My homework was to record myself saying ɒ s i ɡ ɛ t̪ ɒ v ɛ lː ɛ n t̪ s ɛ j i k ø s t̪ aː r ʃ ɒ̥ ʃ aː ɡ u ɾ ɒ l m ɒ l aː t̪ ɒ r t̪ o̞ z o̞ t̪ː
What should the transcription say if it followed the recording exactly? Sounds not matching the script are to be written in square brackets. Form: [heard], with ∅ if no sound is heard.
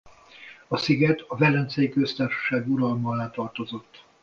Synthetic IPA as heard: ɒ s i ɡ ɛ t̪ ɒ v ɛ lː ɛ n t̪ s ɛ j i k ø s t̪ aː r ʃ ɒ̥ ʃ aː ɡ u ɾ ɒ l m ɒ l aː t̪ ɒ r t̪ o̞ z o̞ t̪ː